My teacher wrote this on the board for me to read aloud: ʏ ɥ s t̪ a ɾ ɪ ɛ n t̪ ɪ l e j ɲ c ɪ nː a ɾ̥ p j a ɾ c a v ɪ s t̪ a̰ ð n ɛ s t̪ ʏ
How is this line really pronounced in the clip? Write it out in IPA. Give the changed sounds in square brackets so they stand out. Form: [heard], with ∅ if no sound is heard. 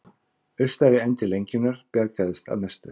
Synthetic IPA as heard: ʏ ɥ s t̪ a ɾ ɪ ɛ n t̪ ɪ l e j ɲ c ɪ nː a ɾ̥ p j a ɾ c a [ð] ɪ s t̪ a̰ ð n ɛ s t̪ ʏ

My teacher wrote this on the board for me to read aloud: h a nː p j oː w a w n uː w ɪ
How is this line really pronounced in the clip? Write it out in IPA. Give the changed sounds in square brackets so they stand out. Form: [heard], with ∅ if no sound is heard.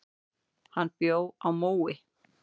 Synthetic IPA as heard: h a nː p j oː w a w [m] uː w ɪ

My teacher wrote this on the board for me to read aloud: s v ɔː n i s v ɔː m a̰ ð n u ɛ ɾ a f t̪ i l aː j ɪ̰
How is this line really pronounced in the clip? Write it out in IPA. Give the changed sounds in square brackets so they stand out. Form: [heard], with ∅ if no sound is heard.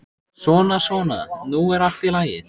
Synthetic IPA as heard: s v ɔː n [a] s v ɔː [n] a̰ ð n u ɛ ɾ a f t̪ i l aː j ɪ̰

